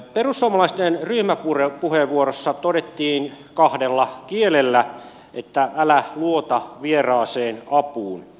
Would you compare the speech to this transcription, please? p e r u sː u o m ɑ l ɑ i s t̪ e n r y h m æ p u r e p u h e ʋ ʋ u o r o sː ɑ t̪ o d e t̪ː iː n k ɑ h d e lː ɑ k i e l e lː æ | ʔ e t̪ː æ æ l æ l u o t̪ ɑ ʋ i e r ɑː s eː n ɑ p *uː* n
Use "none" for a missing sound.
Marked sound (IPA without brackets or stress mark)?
uː